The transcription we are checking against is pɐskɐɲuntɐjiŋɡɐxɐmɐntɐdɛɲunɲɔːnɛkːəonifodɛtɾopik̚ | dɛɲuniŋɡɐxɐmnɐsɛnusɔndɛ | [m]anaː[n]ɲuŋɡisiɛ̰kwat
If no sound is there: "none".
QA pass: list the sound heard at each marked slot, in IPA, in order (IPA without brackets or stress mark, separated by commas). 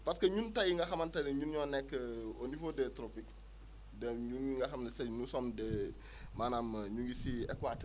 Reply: m, m